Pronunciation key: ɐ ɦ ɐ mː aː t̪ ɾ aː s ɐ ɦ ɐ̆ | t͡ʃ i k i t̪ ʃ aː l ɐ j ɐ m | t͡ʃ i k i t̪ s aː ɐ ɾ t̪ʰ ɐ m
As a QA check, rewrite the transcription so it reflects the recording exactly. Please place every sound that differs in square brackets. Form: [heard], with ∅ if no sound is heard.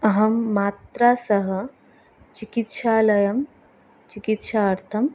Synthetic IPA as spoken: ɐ ɦ ɐ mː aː t̪ ɾ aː s ɐ ɦ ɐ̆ | t͡ʃ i k i t̪ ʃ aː l ɐ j ɐ m | t͡ʃ i k i t̪ [ʃ] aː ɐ ɾ t̪ʰ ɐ m